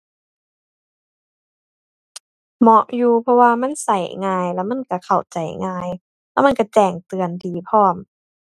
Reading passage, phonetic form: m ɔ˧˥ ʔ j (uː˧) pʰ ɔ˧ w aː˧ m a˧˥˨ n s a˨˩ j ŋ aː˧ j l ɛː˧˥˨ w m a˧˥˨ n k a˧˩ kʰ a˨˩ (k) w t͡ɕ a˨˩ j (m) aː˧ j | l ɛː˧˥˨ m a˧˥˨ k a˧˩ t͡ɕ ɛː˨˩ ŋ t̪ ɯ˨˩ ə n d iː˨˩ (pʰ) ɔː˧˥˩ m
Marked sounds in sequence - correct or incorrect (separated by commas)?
correct, incorrect, incorrect, correct